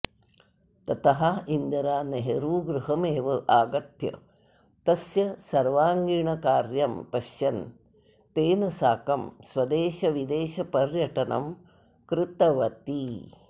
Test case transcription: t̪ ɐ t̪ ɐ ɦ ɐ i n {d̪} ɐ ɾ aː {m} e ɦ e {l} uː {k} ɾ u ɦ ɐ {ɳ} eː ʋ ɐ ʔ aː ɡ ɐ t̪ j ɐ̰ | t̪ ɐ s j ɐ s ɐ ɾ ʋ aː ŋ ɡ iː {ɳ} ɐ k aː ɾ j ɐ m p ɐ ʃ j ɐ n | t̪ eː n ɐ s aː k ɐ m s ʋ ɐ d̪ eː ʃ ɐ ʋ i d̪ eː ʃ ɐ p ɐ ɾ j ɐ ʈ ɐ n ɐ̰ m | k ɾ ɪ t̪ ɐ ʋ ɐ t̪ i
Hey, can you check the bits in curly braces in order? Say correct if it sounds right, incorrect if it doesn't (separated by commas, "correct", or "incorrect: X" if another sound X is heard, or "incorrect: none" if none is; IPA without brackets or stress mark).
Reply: correct, incorrect: n, incorrect: ɾ, incorrect: ɡ, incorrect: m, correct